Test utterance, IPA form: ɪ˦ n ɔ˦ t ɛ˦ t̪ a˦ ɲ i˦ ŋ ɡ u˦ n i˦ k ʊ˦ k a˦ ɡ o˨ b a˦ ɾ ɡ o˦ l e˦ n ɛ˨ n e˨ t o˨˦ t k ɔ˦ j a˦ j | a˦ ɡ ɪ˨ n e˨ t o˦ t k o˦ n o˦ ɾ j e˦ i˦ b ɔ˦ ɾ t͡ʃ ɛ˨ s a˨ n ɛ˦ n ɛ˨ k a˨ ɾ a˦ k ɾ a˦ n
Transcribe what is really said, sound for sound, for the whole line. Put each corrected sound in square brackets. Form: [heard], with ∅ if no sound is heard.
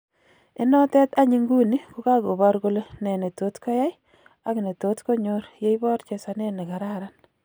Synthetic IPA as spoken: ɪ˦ n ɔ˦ t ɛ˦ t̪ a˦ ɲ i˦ ŋ ɡ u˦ n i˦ k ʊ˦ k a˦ ɡ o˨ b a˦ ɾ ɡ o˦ l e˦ n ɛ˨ n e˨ t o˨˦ t k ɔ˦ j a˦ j | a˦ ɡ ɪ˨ n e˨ t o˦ t k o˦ [ɲ] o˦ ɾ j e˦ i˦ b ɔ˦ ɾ t͡ʃ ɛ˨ s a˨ n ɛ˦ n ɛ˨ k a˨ ɾ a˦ [∅] ɾ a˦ n